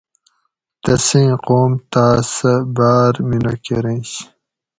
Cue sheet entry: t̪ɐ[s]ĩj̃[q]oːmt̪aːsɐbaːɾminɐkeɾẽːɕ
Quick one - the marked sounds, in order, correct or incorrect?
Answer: correct, correct

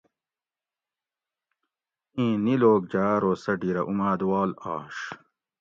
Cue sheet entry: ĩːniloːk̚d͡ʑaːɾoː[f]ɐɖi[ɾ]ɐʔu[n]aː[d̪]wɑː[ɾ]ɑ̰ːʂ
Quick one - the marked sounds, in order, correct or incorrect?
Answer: incorrect: s, correct, incorrect: m, correct, incorrect: l

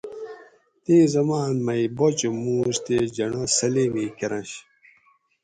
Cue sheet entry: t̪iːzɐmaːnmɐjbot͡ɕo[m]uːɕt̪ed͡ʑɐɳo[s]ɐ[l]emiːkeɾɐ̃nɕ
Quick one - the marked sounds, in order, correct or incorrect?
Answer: correct, correct, correct

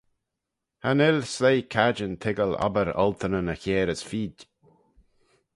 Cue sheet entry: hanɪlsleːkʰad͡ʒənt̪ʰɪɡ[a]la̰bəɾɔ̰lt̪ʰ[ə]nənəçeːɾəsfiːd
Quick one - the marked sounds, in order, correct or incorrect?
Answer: incorrect: ə, correct

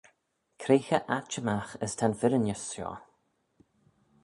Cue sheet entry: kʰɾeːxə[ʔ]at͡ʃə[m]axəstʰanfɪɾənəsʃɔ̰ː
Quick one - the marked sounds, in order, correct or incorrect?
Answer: correct, correct

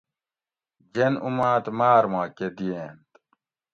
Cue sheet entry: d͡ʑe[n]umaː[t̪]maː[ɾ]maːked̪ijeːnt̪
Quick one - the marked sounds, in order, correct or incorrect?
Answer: correct, correct, correct

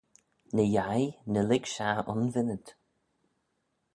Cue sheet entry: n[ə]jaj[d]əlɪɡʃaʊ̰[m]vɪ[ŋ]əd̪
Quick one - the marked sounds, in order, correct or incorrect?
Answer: correct, incorrect: n, incorrect: n, incorrect: n

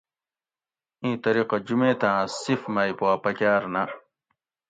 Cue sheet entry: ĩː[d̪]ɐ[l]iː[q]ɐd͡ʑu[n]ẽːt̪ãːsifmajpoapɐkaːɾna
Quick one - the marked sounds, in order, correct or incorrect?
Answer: incorrect: t̪, incorrect: ɾ, correct, incorrect: m

